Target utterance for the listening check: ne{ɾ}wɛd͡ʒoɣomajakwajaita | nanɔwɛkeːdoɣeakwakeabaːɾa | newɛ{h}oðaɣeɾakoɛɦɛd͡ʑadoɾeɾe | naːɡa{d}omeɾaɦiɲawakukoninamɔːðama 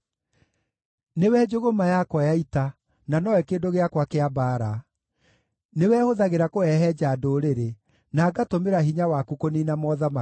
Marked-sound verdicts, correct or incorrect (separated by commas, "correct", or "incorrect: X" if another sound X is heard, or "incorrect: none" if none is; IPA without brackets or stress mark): incorrect: none, correct, incorrect: t